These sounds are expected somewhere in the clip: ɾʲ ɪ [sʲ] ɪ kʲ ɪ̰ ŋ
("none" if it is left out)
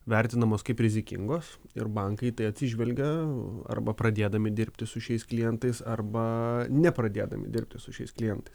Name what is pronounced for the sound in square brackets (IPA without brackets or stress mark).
zʲ